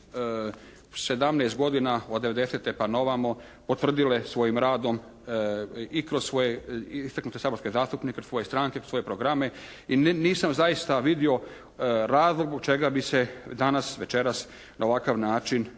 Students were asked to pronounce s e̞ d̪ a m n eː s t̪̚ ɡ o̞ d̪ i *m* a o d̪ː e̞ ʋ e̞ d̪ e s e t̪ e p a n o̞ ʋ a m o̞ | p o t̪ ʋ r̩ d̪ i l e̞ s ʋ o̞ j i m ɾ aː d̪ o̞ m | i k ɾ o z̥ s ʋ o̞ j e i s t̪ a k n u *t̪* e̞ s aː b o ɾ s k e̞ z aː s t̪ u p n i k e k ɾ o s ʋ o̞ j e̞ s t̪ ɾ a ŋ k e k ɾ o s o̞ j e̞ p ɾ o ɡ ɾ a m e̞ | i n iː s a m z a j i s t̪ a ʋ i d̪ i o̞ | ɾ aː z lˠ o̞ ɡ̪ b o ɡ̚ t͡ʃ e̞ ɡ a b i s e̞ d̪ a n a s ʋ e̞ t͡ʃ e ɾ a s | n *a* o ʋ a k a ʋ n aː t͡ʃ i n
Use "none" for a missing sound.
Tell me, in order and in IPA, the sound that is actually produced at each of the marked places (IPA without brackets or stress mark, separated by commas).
n, t̪, a